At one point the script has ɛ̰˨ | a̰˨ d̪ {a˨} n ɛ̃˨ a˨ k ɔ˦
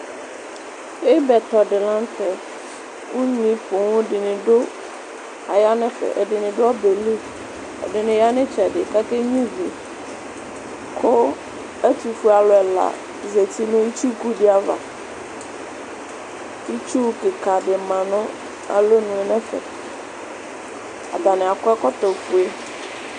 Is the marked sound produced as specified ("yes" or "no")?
yes